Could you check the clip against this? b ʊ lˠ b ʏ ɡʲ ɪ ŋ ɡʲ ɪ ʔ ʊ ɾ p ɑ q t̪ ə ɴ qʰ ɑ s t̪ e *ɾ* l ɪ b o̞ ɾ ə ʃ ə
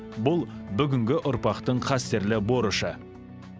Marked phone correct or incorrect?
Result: correct